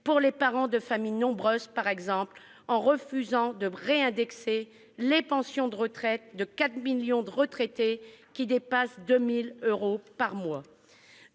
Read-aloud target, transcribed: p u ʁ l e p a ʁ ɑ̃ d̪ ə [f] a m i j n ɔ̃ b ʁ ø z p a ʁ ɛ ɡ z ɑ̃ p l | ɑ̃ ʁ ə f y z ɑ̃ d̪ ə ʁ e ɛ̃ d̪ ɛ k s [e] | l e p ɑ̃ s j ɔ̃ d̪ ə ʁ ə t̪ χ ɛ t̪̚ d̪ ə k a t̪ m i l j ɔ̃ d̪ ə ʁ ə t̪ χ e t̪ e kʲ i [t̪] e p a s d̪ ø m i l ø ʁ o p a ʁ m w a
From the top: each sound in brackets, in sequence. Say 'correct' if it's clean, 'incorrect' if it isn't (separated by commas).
correct, correct, incorrect